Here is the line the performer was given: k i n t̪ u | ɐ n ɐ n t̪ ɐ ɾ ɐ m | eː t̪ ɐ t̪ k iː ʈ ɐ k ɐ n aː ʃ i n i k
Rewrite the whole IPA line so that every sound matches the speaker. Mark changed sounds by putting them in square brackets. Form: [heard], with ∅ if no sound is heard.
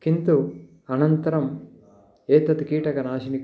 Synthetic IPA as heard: k i n t̪ u | ɐ n ɐ n t̪ ɐ ɾ ɐ m | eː t̪ ɐ t̪ k iː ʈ ɐ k ɐ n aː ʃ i n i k